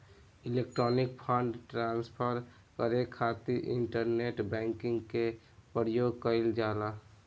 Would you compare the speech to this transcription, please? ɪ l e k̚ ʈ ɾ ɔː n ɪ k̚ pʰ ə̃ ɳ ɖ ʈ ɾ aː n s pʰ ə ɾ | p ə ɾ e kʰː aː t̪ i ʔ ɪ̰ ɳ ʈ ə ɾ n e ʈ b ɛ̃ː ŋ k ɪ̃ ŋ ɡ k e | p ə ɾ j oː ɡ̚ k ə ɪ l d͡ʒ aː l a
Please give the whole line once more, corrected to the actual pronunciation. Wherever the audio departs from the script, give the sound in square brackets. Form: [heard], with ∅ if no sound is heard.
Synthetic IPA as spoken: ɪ l e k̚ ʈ ɾ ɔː n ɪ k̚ pʰ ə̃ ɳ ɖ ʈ ɾ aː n s pʰ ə ɾ | [k] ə ɾ e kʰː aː t̪ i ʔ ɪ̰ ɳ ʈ ə ɾ n e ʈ b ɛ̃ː ŋ k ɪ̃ ŋ ɡ k e | p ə ɾ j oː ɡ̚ k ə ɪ l d͡ʒ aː l a